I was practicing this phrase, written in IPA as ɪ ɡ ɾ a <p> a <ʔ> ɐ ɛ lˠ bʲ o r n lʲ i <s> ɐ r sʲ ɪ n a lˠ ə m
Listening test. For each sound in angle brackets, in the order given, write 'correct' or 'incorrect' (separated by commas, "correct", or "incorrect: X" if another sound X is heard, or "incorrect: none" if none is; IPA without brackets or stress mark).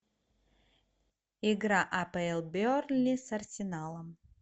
incorrect: ʔ, incorrect: p, correct